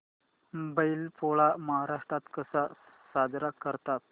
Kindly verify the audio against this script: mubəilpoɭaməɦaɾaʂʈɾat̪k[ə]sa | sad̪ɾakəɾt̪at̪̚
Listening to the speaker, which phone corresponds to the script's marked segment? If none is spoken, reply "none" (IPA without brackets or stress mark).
ə